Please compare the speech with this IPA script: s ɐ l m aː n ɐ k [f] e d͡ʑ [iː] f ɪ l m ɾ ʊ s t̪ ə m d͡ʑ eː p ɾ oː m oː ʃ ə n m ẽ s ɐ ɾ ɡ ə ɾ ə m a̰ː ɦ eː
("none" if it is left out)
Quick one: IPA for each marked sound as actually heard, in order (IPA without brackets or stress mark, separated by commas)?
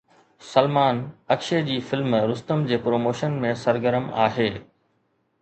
ʃ, iː